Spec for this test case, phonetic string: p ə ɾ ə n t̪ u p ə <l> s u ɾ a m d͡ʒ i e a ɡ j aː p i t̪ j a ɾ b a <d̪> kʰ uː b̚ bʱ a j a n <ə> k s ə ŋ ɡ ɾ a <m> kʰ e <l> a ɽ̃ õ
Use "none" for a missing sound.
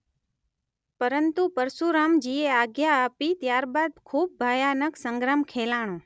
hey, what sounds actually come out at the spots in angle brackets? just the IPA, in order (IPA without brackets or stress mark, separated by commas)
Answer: ɾ, d̪, ə, m, l